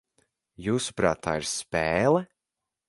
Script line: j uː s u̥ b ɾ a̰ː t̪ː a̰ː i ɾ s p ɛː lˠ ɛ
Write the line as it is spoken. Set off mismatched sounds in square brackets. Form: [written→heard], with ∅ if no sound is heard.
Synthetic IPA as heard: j uː s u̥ [b→p] ɾ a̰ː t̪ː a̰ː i ɾ s p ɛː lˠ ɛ